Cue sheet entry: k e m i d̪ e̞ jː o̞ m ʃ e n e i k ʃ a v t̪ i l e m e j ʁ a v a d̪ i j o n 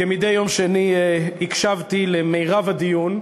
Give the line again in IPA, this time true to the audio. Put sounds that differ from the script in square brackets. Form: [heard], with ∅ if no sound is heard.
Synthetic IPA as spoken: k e m i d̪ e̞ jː o̞ m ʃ e n [i] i k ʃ a v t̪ i l e m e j ʁ a v a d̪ i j [u] n